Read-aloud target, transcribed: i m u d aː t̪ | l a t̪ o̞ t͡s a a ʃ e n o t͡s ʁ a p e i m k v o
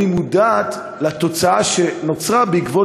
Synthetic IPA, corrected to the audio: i m u d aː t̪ | l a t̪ o̞ t͡s a a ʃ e n o t͡s ʁ a b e i k v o